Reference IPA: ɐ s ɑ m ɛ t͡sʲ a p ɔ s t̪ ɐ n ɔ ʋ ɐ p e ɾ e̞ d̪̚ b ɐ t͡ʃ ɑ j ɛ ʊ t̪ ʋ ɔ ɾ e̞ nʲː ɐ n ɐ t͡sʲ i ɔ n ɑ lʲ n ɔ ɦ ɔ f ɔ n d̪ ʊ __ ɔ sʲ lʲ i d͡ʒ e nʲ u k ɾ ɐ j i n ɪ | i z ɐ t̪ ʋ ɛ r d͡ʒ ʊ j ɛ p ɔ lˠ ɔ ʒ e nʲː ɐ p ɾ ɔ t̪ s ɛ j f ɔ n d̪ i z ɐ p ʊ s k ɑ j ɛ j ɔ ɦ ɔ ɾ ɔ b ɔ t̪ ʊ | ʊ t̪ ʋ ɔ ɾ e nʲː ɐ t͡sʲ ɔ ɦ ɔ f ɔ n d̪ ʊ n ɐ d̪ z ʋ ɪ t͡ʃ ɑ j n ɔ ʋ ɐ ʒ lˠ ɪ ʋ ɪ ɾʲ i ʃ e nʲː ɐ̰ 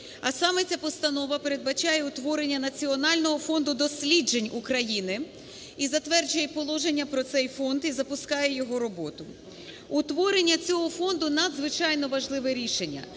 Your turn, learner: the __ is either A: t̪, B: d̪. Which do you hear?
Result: B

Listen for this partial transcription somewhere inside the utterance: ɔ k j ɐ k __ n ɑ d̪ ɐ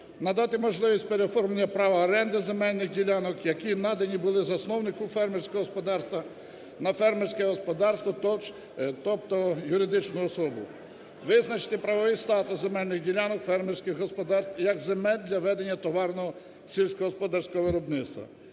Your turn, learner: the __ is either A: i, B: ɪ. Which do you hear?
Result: A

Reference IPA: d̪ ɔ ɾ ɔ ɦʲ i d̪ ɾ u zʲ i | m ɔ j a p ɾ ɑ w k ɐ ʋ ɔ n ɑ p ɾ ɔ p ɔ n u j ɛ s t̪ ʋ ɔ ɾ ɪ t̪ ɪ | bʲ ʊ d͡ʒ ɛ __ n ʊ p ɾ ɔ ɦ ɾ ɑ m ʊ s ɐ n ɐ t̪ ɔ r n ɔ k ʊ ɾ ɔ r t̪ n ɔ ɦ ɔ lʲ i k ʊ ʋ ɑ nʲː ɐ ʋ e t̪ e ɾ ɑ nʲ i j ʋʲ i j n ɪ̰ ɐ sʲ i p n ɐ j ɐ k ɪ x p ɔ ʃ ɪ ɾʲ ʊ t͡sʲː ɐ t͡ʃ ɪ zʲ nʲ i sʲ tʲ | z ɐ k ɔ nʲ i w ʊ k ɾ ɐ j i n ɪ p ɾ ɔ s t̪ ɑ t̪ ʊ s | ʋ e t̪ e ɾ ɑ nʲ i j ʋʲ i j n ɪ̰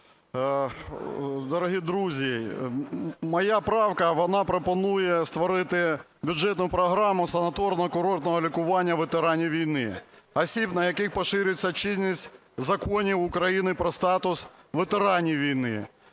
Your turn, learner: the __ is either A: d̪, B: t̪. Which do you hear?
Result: B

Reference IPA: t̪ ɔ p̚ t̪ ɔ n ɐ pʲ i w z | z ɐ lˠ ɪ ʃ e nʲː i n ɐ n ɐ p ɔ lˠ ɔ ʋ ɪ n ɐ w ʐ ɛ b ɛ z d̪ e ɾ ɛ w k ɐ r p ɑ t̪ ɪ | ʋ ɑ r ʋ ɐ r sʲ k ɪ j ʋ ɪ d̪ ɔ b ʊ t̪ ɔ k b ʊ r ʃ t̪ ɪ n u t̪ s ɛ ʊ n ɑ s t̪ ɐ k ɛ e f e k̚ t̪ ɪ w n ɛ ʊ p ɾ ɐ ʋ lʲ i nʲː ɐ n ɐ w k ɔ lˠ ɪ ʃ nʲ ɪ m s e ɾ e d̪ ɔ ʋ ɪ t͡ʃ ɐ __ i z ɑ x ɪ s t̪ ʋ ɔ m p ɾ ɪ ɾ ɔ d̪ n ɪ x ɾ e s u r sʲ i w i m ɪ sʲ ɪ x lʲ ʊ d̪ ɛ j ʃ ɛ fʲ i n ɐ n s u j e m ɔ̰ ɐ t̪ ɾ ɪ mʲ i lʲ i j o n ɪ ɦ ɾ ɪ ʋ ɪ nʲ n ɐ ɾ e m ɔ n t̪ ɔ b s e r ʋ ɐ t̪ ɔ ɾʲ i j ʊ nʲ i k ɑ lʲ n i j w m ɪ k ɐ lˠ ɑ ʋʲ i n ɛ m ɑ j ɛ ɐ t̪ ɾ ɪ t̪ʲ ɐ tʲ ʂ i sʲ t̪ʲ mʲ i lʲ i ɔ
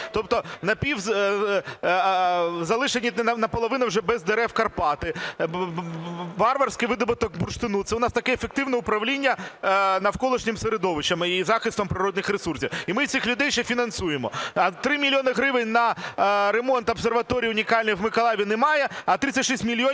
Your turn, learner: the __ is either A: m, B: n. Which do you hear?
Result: A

